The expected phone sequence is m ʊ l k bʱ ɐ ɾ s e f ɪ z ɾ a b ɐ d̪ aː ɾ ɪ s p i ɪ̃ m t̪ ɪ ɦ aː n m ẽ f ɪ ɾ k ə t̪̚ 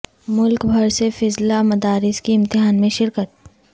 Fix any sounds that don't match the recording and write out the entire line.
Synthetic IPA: m ʊ l k bʱ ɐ ɾ s e f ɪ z l a m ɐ d̪ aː ɾ ɪ s k i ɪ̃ m t̪ ɪ ɦ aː n m ẽ ʃ ɪ ɾ k ə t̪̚